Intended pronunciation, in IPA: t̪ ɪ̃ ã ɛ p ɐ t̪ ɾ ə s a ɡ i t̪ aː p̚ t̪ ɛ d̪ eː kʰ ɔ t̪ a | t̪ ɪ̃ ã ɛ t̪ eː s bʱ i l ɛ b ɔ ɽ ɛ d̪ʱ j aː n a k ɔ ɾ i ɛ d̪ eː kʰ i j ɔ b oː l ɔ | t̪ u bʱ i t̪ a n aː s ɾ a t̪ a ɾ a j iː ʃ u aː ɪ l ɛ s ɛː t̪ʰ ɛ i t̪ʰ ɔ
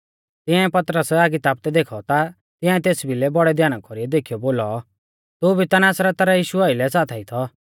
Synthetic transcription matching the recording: t̪ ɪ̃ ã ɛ p ɐ t̪ ɾ ə s a ɡ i t̪ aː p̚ t̪ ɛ d̪ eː kʰ ɔ t̪ a | t̪ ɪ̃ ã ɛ t̪ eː s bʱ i l ɛ b ɔ ɽ ɛ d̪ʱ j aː n a k ɔ ɾ i ɛ d̪ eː kʰ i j ɔ b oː l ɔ | t̪ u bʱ i t̪ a n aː s ɾ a t̪ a ɾ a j iː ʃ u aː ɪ l ɛ s aː t̪ʰ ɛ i t̪ʰ ɔ